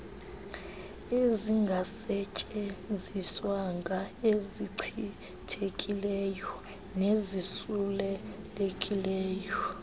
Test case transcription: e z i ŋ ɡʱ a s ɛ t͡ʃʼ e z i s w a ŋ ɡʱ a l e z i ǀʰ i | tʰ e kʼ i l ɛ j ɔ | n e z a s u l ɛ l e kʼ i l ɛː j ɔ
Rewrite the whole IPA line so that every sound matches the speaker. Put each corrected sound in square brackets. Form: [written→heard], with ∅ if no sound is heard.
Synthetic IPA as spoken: e z i ŋ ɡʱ a s ɛ t͡ʃʼ e z i s w a ŋ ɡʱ a [l→∅] e z i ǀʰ i | tʰ e kʼ i l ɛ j ɔ | n e z [a→i] s u l ɛ l e kʼ i l ɛː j ɔ